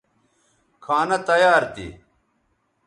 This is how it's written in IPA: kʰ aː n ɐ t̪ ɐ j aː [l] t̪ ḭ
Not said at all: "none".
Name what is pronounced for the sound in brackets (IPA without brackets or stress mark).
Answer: ɾ